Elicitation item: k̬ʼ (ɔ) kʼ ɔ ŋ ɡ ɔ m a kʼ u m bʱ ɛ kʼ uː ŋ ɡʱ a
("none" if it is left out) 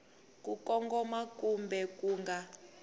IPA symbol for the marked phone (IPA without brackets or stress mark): u